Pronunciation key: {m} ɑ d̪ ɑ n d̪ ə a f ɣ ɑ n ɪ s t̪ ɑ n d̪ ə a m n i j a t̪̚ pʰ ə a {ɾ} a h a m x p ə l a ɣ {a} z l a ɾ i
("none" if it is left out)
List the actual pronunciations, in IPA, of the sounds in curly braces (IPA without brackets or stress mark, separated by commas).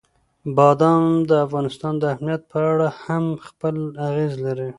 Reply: b, ɽ, e